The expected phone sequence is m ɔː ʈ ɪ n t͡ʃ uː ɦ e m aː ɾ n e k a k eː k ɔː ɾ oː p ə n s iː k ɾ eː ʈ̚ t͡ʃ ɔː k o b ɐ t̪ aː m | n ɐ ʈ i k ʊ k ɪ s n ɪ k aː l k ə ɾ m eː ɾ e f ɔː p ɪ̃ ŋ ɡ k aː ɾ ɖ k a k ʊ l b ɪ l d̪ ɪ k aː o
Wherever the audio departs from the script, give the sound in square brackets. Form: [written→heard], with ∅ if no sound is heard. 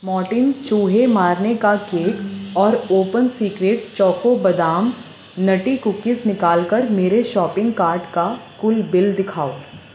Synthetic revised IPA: m ɔː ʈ ɪ n t͡ʃ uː ɦ e m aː ɾ n e k a k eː k ɔː ɾ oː p ə n s iː k ɾ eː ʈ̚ t͡ʃ ɔː k o b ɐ [t̪→d̪] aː m | n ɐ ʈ i k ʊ k ɪ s n ɪ k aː l k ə ɾ m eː ɾ e [f→ʃ] ɔː p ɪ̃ ŋ ɡ k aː ɾ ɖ k a k ʊ l b ɪ l d̪ ɪ [k→kʰ] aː o